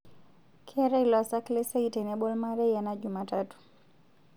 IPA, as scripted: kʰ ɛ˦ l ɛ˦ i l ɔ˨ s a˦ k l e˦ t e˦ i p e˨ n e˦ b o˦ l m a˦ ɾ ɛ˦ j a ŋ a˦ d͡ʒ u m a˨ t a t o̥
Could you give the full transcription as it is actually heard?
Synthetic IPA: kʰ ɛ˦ ɾ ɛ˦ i l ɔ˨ s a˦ k l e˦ s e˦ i t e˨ n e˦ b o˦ l m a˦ ɾ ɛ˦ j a n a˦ d͡ʒ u m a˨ t a t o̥